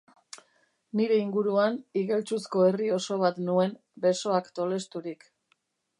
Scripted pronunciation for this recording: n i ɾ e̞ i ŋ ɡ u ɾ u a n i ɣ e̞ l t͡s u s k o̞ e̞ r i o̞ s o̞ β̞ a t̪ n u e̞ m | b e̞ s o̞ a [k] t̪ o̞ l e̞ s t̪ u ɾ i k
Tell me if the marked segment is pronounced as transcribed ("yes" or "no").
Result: yes